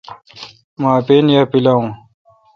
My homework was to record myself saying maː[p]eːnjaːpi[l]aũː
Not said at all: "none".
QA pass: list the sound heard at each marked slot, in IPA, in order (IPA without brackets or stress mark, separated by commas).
p, l